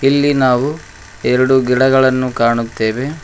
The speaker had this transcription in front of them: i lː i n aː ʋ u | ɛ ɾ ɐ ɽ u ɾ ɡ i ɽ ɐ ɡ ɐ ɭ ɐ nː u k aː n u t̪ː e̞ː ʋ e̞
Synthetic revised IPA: i lː i n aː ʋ u | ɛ ɾ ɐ ɽ u ɡ i ɽ ɐ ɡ ɐ ɭ ɐ nː u k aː ɳ u t̪ː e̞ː ʋ e̞

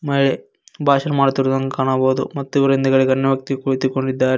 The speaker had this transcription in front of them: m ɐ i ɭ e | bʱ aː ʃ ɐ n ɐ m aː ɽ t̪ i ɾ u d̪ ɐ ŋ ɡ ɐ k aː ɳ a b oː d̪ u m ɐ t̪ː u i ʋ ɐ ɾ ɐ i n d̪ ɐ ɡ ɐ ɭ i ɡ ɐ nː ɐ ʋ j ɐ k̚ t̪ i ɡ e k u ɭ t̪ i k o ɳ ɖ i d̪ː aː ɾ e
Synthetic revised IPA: m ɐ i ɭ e | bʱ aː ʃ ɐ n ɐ m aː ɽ t̪ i ɾ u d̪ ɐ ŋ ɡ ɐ k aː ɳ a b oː d̪ u m ɐ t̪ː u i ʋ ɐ ɾ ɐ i n d̪ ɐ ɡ ɐ ɭ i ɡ ɐ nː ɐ ʋ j ɐ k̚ t̪ i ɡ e k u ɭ t̪ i k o ɳ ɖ i d̪ː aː ɾ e

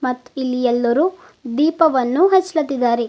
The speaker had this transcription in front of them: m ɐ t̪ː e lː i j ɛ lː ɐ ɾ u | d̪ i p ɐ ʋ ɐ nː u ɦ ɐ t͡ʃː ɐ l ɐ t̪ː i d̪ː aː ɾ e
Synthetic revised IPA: m ɐ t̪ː i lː i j ɛ lː ɐ ɾ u | d̪ iː p ɐ ʋ ɐ nː u ɦ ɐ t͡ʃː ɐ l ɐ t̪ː i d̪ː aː ɾ e

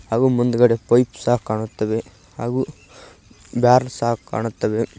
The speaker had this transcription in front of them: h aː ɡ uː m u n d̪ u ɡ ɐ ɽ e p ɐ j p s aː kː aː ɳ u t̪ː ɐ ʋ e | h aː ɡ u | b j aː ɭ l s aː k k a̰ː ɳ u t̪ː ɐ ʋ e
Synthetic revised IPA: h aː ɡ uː m u n d̪ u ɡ ɐ ɽ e p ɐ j p s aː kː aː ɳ u t̪ː ɐ ʋ e | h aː ɡ u | b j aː ɾ l s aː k k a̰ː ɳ u t̪ː ɐ ʋ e

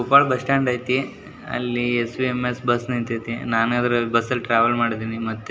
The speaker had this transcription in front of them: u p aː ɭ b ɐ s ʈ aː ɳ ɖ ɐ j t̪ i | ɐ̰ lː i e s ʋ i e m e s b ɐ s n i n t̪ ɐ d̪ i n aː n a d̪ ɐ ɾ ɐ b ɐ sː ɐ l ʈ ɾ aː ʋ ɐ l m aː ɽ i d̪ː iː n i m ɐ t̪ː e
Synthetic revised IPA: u p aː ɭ b ɐ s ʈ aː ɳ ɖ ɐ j t̪ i | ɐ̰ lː i e s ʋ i e m e s b ɐ s n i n t̪ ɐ t̪ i n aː n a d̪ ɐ ɾ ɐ b ɐ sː ɐ l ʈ ɾ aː ʋ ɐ l m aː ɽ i d̪ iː n i m ɐ t̪ː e

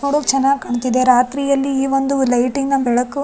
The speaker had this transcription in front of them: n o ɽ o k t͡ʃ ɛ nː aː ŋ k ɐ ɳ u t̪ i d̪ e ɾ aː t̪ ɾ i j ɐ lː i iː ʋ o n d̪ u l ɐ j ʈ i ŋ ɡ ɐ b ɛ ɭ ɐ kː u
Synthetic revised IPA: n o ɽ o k t͡ʃ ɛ nː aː ɡ k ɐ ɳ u t̪ i d̪ e ɾ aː t̪ ɾ i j ɐ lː i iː ʋ o n d̪ u l ɐ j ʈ i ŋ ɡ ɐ b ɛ ɭ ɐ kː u

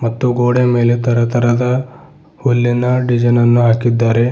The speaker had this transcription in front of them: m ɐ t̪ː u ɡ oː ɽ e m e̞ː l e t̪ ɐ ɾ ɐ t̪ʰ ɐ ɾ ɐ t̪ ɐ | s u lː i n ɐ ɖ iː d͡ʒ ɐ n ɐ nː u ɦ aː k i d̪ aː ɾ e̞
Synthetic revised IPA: m ɐ t̪ː u ɡ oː ɽ e m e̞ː l e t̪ ɐ ɾ ɐ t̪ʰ ɐ ɾ ɐ d̪ ɐ | h u lː i n ɐ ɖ i d͡ʒ ɐ n ɐ nː u ɦ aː k i d̪ː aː ɾ e̞

